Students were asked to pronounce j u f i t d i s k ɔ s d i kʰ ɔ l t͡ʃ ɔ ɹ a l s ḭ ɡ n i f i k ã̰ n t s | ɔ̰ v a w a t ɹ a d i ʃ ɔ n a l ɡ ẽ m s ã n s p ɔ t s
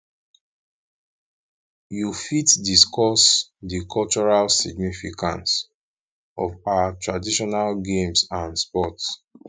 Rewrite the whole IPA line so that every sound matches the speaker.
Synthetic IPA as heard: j u f i t d i s k ɔ s d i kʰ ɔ l t͡ʃ ɔ ɹ a l s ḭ ɡ n i f i k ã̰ n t s | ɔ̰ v a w a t ɹ a d i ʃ ɔ n a l ɡ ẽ m s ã n s p ɔ t s